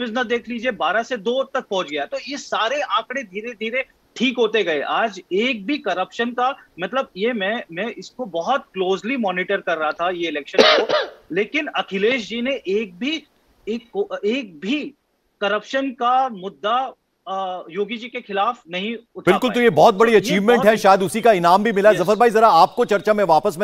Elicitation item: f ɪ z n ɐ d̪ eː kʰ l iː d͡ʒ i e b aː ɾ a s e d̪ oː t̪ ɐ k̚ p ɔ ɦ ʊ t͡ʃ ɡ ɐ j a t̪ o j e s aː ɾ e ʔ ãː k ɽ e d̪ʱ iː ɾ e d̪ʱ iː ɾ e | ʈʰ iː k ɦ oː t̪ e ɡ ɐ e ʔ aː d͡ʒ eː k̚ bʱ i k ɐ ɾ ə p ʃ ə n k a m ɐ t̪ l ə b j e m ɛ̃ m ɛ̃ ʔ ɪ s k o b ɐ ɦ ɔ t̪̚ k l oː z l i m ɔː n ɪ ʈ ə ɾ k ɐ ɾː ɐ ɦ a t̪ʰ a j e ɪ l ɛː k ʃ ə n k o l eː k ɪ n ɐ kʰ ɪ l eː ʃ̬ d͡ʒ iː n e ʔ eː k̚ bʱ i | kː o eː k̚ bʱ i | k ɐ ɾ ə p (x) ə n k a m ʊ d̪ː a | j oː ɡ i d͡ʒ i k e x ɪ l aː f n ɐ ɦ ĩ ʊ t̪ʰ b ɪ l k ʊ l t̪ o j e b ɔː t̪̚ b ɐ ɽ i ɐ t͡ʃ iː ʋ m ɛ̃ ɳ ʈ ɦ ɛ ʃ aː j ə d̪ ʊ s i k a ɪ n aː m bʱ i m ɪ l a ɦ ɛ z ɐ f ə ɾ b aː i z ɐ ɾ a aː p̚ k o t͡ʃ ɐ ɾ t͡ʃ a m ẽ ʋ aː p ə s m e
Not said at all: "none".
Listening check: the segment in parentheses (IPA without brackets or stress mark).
ʃ